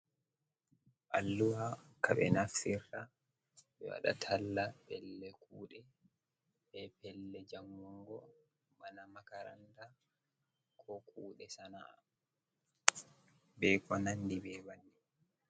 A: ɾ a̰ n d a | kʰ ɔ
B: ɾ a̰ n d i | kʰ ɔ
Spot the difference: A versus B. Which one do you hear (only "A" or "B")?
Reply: A